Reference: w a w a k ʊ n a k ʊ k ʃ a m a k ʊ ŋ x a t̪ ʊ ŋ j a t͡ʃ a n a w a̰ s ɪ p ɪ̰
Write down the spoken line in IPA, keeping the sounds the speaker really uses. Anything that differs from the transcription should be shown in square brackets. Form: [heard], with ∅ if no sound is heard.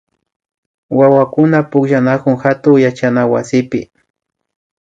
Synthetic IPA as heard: w a w a k ʊ n a [p] ʊ k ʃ a [n] a k ʊ ŋ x a t̪ ʊ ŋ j a t͡ʃ a n a w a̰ s ɪ p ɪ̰